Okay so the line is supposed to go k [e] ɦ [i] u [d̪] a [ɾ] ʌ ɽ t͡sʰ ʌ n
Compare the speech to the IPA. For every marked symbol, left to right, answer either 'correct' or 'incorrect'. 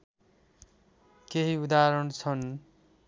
correct, correct, correct, correct

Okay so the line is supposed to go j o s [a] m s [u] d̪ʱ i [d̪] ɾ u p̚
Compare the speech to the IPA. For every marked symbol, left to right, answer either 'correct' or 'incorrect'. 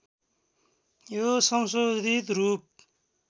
incorrect: ʌ, incorrect: o, incorrect: t̪

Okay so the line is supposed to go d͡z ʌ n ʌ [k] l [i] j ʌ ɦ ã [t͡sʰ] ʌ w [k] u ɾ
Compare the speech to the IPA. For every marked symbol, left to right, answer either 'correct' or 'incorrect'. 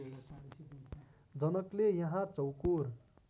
correct, incorrect: e, incorrect: t͡s, correct

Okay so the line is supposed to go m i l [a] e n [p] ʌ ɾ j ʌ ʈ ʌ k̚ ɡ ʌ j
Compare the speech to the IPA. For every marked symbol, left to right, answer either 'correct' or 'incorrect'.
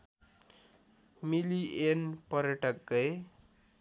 incorrect: i, correct

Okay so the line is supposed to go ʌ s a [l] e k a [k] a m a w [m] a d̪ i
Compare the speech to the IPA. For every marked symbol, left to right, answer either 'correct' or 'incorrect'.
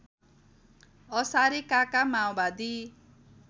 incorrect: ɾ, correct, incorrect: b

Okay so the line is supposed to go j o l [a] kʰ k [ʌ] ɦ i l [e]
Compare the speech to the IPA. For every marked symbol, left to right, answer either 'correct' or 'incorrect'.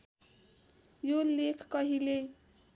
incorrect: e, correct, correct

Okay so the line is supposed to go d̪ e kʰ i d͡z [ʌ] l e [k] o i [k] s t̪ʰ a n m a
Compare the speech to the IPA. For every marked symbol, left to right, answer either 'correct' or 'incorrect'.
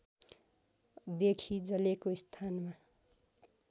correct, correct, incorrect: none

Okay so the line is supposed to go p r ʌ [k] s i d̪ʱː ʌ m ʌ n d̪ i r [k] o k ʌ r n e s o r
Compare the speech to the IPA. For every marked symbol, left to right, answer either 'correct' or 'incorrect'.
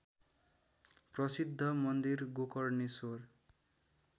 incorrect: none, incorrect: ɡ

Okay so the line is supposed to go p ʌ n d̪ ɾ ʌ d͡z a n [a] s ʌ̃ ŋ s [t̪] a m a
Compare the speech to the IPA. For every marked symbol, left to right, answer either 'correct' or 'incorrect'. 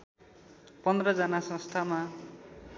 correct, incorrect: t̪ʰ

